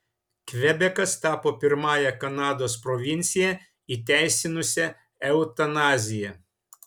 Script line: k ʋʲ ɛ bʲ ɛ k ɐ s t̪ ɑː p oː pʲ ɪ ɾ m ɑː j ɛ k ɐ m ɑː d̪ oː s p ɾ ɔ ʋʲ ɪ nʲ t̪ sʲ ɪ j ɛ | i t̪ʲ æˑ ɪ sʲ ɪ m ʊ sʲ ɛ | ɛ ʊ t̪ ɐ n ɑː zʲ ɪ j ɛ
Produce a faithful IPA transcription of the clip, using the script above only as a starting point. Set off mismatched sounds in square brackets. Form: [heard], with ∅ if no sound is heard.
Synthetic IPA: k ʋʲ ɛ bʲ ɛ k ɐ s t̪ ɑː p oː pʲ ɪ ɾ m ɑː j ɛ k ɐ [n] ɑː d̪ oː s p ɾ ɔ ʋʲ ɪ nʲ t̪ sʲ ɪ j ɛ | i t̪ʲ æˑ ɪ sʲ ɪ [n] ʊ sʲ ɛ | ɛ ʊ t̪ ɐ n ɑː zʲ ɪ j ɛ

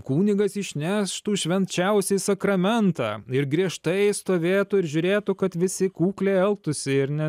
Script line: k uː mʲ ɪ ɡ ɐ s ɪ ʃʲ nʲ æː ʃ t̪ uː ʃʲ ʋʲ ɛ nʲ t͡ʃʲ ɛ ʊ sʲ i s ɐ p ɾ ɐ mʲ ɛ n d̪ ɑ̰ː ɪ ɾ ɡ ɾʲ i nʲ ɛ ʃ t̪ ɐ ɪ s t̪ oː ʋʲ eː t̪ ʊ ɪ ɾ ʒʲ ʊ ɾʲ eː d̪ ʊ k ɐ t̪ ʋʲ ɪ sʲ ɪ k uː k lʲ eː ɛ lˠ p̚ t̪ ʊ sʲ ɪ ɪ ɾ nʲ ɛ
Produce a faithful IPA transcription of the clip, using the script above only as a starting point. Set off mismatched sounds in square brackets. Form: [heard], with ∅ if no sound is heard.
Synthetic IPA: k uː [nʲ] ɪ ɡ ɐ s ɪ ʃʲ nʲ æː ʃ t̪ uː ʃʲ ʋʲ ɛ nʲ t͡ʃʲ ɛ ʊ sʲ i s ɐ [k] ɾ ɐ mʲ ɛ n [t̪] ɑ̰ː ɪ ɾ ɡ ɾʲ i [∅] ɛ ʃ t̪ ɐ ɪ s t̪ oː ʋʲ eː t̪ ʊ ɪ ɾ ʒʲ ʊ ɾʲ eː [t̪] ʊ k ɐ t̪ ʋʲ ɪ sʲ ɪ k uː k lʲ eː ɛ lˠ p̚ t̪ ʊ sʲ ɪ ɪ ɾ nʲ ɛ

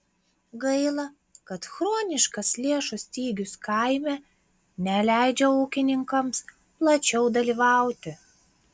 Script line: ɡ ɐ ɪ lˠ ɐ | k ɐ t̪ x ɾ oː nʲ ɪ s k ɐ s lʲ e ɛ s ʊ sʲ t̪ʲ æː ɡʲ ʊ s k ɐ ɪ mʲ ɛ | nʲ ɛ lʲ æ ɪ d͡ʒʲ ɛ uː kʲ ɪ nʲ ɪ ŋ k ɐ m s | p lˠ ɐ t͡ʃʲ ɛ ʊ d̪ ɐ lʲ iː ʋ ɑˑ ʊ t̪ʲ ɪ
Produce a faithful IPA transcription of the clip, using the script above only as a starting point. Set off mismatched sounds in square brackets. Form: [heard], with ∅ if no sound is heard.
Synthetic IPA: ɡ ɐ ɪ lˠ ɐ | k ɐ t̪ x ɾ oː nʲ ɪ [ʃ] k ɐ s lʲ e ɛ [ʃ] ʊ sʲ t̪ʲ [iː] ɡʲ ʊ s k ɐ ɪ mʲ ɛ | nʲ ɛ lʲ æ ɪ d͡ʒʲ ɛ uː kʲ ɪ nʲ ɪ ŋ k ɐ m s | p lˠ ɐ t͡ʃʲ ɛ ʊ d̪ ɐ lʲ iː ʋ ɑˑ ʊ t̪ʲ ɪ

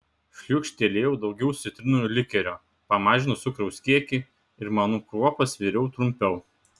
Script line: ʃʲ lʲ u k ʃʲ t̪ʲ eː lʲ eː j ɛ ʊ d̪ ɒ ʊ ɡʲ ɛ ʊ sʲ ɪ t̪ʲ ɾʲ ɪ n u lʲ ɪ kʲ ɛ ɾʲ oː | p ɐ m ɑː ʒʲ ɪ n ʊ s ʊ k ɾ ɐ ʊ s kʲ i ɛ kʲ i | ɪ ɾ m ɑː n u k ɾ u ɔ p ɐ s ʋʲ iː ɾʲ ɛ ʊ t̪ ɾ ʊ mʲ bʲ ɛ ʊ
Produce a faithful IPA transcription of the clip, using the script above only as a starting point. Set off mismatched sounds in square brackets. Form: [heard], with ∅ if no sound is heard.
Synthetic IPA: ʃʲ lʲ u k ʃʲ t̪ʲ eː lʲ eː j ɛ ʊ d̪ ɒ ʊ ɡʲ ɛ ʊ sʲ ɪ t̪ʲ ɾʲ ɪ n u lʲ ɪ kʲ ɛ ɾʲ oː | p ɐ m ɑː ʒʲ ɪ n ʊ s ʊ k ɾ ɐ ʊ s kʲ i ɛ kʲ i | ɪ ɾ m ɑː n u k ɾ u ɔ p ɐ s ʋʲ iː ɾʲ ɛ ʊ t̪ ɾ ʊ mʲ [pʲ] ɛ ʊ

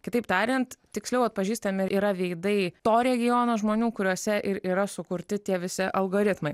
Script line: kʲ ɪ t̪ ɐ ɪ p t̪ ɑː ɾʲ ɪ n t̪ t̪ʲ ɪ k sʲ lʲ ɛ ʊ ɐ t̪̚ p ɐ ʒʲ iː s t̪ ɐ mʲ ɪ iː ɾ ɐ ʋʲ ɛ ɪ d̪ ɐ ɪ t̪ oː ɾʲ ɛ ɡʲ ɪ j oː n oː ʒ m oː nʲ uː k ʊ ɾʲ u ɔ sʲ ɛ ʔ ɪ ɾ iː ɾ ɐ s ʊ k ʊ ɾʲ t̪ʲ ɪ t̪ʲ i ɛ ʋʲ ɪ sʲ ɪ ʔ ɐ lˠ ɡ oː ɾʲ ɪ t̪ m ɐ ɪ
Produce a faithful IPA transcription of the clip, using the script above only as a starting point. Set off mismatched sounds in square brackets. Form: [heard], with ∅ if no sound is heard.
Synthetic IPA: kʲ ɪ t̪ ɐ ɪ p t̪ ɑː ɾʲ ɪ n t̪ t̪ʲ ɪ k sʲ lʲ ɛ ʊ ɐ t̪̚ p ɐ ʒʲ iː s t̪ ɐ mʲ ɪ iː ɾ ɐ ʋʲ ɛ ɪ d̪ ɐ ɪ t̪ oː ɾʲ ɛ ɡʲ ɪ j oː n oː ʒ m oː nʲ uː k ʊ ɾʲ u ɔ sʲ ɛ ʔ ɪ ɾ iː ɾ ɐ s ʊ k ʊ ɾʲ t̪ʲ ɪ t̪ʲ i ɛ ʋʲ ɪ sʲ ɪ ʔ ɐ lˠ ɡ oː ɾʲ ɪ t̪ m ɐ ɪ

